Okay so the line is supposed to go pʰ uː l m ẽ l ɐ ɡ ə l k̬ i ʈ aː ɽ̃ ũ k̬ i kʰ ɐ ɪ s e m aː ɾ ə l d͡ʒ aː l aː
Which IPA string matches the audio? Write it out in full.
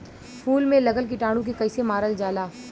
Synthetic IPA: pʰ uː l m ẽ l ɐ ɡ ə l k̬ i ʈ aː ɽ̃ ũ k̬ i k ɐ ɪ s e m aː ɾ ə l d͡ʒ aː l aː